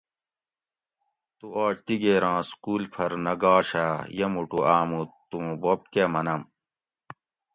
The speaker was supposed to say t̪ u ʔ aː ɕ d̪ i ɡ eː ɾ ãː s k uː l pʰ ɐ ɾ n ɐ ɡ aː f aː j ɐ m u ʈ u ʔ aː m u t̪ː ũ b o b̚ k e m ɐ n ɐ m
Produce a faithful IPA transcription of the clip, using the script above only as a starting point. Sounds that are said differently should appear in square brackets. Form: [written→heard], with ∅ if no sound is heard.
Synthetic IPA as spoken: t̪ u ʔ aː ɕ [d̪→t̪] i ɡ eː ɾ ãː s k uː l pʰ ɐ ɾ n ɐ ɡ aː [f→ɕ] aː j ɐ m u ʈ u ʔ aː m u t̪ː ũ b o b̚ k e m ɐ n ɐ m